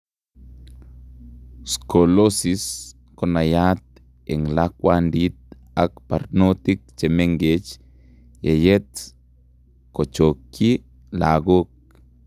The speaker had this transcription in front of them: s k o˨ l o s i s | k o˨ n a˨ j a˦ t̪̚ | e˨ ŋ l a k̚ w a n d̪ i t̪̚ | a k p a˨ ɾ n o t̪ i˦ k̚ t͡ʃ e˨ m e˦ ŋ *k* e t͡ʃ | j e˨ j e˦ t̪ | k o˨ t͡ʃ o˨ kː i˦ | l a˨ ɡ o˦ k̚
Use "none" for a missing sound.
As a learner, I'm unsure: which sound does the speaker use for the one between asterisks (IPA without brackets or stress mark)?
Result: ɡ